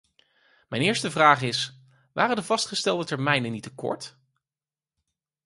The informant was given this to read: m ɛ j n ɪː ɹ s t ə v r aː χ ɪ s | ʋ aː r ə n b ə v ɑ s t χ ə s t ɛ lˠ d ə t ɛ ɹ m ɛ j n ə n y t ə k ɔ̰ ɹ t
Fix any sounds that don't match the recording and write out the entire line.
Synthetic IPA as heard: m ɛ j n ɪː ɹ s t ə v r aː χ ɪ s | ʋ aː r ə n d ə v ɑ s t χ ə s t ɛ lˠ d ə t ɛ ɹ m ɛ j n ə n i t ə k ɔ̰ ɹ t